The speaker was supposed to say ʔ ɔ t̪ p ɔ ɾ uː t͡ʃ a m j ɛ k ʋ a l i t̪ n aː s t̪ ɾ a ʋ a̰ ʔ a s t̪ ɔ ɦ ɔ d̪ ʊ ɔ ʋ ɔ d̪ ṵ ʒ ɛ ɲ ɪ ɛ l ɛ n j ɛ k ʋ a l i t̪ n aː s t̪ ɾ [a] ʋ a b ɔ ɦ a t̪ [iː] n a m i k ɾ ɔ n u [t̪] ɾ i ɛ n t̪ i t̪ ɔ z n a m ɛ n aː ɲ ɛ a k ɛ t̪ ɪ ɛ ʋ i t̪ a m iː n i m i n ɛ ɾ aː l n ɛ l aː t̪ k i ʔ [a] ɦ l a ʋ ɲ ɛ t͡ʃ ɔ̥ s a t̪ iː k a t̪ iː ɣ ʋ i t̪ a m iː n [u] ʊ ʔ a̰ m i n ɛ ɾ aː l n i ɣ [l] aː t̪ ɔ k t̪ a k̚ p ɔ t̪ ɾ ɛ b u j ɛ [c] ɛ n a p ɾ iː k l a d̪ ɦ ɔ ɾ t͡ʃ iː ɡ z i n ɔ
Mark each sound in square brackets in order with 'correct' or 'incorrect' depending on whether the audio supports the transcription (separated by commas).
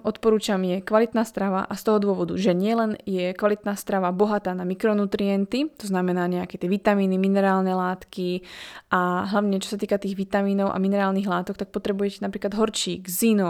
correct, incorrect, correct, correct, incorrect, correct, correct